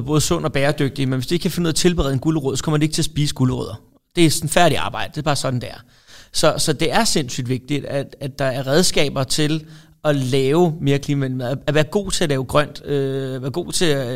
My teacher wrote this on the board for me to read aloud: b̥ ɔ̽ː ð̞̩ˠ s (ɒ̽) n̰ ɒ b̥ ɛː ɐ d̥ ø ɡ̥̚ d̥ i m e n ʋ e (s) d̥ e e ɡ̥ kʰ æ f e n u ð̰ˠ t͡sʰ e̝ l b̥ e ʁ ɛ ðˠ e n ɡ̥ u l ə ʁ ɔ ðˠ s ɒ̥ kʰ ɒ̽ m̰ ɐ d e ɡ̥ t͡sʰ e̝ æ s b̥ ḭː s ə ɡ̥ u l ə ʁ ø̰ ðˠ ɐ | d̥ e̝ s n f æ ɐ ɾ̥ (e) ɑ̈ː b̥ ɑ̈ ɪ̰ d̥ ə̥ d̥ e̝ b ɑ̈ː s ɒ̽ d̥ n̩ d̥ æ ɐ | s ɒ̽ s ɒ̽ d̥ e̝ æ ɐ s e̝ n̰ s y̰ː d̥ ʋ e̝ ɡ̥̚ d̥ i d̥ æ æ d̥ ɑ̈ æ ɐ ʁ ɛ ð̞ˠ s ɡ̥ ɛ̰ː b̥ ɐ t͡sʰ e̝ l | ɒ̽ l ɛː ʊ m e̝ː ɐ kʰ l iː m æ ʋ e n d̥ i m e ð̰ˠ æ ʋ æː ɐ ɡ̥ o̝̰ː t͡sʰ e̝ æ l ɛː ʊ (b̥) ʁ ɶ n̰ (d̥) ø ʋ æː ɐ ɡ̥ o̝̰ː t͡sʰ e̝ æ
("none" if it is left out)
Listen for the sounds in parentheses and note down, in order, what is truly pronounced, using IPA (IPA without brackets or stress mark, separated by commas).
ɔ̽, s, i, ɡ̥, d̥